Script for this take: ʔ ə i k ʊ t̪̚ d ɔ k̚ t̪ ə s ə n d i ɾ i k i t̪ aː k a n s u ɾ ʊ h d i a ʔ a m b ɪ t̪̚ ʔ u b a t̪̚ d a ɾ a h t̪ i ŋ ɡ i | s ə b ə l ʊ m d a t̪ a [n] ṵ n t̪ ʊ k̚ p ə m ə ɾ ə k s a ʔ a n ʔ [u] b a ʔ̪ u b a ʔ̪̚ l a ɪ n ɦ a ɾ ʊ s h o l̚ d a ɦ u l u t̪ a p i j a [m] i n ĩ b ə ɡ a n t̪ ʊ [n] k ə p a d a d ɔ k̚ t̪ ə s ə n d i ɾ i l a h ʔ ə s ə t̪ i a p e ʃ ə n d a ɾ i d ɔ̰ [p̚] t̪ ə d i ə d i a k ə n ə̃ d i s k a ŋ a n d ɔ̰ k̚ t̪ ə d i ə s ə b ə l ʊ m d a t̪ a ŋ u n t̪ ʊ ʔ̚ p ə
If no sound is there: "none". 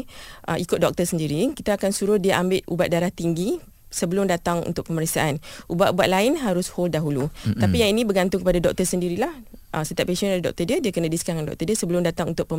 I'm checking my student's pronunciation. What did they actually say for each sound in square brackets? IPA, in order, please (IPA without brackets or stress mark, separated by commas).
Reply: ŋ, u, ŋ, ŋ, k̚